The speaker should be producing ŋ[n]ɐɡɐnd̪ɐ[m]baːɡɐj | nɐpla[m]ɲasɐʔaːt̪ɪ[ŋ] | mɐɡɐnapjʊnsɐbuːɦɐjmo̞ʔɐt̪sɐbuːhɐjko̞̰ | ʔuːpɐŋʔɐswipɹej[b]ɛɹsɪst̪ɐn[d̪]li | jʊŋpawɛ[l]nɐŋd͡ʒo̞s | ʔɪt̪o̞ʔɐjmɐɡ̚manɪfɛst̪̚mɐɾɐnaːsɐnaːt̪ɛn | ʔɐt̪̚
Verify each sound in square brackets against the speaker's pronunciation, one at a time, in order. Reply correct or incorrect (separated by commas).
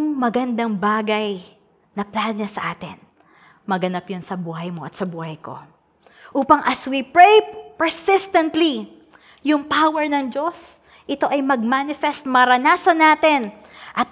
incorrect, incorrect, incorrect, incorrect, incorrect, incorrect, incorrect